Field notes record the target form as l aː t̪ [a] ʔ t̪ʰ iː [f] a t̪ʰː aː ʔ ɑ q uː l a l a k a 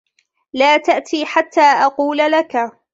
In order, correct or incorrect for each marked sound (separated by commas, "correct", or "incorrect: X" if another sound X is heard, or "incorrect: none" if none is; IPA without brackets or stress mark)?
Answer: correct, incorrect: ħ